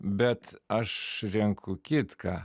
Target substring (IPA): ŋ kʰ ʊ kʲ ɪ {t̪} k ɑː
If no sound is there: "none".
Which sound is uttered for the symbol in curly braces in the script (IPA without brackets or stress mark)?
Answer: t̪